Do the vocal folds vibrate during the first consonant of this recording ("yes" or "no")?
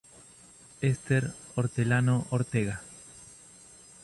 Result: no